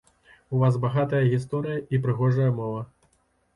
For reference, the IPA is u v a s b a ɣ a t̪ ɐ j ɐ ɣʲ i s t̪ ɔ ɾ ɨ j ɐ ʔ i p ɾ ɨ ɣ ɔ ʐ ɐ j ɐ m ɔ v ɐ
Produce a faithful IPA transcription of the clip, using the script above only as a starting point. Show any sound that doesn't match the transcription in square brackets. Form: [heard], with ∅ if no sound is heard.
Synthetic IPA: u v a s b a ɣ a t̪ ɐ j ɐ ɣʲ i s t̪ ɔ ɾ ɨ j ɐ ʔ i p ɾ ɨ ɣ ɔ ʐ ɐ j ɐ m ɔ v ɐ